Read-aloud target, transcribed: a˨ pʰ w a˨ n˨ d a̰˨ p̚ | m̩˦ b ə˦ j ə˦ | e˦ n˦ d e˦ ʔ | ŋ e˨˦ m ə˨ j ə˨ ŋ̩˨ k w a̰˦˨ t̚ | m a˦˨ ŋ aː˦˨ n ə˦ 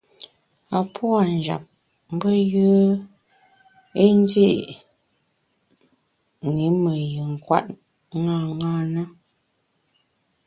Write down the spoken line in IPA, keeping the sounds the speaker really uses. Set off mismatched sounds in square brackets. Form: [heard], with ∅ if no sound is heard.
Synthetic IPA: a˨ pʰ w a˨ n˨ [d͡ʒ] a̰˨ p̚ | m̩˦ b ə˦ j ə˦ | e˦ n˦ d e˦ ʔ | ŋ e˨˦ m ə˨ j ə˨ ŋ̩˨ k w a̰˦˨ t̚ | [ŋ] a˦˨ ŋ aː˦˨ n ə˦